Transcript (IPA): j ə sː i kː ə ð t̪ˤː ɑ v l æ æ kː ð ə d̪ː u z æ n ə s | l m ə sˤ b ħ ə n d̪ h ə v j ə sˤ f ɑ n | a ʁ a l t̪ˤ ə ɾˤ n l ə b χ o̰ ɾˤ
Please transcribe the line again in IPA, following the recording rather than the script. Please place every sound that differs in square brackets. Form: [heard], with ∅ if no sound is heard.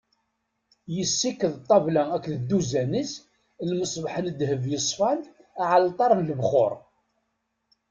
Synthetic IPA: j ə sː i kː ə ð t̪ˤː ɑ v l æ æ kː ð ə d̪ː u z æ n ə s | l m ə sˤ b ħ ə n d̪ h ə v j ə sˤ f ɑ n | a [ʕ] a l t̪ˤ [ɑ] ɾˤ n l ə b χ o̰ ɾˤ